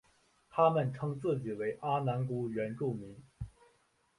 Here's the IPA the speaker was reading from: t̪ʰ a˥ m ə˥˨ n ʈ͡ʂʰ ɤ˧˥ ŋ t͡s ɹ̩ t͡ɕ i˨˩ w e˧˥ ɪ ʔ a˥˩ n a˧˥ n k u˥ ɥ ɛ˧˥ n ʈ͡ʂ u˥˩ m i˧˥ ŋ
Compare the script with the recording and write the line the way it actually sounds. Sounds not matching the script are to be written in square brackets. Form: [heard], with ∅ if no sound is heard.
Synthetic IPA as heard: t̪ʰ a˥ m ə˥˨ n ʈ͡ʂʰ [ɤ˥] ŋ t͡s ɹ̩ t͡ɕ i˨˩ w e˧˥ ɪ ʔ [a˥] n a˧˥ n k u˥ ɥ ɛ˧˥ n ʈ͡ʂ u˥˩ m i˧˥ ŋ